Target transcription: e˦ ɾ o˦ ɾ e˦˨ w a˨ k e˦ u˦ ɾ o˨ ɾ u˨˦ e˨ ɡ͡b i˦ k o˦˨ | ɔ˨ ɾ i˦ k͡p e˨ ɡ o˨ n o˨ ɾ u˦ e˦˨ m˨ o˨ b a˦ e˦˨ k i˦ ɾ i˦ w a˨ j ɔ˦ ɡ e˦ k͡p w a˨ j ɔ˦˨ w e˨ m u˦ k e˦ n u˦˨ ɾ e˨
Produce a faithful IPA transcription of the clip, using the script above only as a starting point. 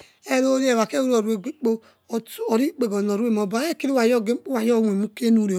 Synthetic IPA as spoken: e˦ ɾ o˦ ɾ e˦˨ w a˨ k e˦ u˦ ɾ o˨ ɾ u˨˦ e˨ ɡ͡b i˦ k͡p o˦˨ | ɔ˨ ɾ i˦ k͡p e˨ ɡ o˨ n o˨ ɾ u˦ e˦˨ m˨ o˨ b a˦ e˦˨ k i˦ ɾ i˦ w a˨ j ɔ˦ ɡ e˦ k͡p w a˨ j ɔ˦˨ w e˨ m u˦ k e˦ n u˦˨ ɾ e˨